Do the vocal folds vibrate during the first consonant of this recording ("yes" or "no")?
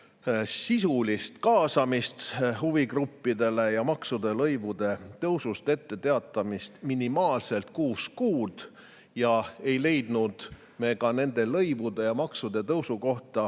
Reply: no